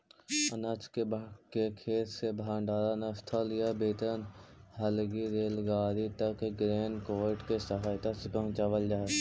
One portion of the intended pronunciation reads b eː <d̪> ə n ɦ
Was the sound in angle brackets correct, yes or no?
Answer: no